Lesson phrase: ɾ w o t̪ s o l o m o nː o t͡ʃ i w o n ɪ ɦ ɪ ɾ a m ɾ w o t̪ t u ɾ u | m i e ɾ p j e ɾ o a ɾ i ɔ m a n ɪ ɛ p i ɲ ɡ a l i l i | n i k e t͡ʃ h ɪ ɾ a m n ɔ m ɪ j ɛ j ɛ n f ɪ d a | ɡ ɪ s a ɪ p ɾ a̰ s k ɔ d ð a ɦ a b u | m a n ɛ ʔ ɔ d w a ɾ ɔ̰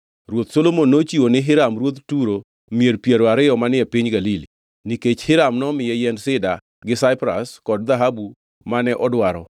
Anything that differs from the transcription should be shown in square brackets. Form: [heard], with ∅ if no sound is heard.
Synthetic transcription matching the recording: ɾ w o t̪ s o l o m o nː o t͡ʃ i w o n ɪ ɦ ɪ ɾ a m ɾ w o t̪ t u ɾ [o] | m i e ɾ p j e ɾ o a ɾ [ɪ] ɔ m a n ɪ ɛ p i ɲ ɡ a l i l i | n i k e t͡ʃ h ɪ ɾ a m n ɔ m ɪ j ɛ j ɛ n [s] ɪ d a | ɡ ɪ s a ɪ p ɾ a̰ s k ɔ d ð a ɦ a b u | m a n ɛ ʔ ɔ d w a ɾ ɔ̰